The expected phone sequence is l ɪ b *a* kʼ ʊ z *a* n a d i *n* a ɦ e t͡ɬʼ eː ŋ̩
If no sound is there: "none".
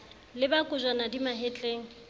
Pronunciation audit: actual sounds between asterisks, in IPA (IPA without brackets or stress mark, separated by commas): a, a, m